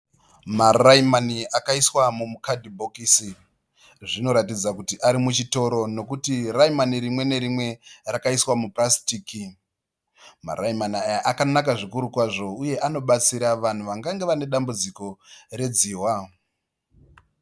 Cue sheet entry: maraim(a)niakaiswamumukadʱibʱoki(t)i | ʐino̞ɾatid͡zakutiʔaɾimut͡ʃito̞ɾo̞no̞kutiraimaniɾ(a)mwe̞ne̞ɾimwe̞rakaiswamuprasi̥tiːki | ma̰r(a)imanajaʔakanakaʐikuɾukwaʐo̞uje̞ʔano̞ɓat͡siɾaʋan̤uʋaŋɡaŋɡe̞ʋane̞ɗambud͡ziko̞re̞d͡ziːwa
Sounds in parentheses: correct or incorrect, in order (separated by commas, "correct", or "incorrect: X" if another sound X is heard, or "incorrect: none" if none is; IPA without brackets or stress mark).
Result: correct, incorrect: s, incorrect: i, correct